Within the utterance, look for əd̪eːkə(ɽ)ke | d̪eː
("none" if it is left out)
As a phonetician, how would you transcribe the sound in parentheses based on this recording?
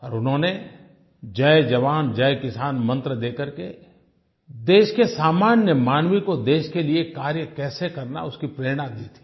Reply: ɾ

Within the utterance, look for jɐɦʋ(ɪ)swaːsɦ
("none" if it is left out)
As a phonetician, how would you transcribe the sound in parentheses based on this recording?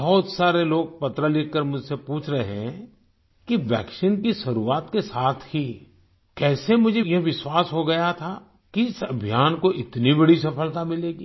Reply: ɪ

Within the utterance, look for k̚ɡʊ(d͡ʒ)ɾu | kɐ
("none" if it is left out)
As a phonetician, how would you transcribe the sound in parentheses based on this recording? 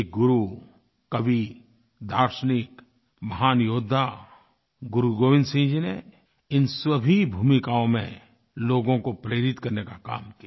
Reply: none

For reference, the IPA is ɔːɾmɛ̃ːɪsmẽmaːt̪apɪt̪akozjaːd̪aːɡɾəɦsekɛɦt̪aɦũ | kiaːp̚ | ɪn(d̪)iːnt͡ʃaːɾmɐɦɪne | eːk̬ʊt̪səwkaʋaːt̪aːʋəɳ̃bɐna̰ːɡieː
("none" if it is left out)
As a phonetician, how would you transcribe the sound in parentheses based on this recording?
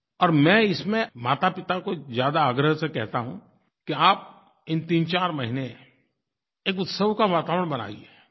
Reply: t̪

